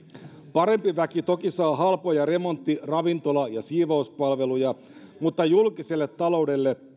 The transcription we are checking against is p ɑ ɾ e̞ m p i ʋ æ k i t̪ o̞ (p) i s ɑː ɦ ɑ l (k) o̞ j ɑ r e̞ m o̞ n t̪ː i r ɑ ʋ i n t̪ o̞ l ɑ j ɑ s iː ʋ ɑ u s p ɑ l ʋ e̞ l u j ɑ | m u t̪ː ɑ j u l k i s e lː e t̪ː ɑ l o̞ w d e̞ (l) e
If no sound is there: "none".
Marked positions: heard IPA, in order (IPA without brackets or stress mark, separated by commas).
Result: k, p, lː